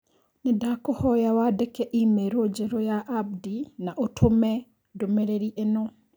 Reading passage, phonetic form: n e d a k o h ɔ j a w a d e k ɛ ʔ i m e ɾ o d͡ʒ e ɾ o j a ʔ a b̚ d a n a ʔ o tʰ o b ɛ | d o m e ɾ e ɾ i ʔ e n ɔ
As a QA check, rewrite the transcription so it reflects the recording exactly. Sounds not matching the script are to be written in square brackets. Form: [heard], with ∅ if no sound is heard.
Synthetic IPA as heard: n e d a k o h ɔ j a w a d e k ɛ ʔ i m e ɾ o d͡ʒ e ɾ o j a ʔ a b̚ d [i] n a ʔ o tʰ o [m] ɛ | d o m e ɾ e ɾ i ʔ e n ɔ